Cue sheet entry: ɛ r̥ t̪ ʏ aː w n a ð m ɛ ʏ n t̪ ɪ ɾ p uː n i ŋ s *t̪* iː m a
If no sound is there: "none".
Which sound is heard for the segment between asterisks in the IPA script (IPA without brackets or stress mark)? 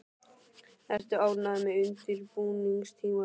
t̪ʰ